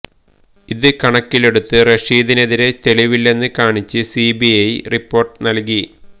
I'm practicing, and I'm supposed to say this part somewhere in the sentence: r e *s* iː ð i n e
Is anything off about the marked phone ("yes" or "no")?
yes